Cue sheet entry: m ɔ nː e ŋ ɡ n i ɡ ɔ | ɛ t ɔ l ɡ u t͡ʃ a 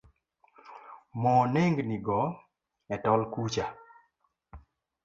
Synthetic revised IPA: m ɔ n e ŋ ɡ n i ɡ ɔ | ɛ t ɔ l k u t͡ʃ a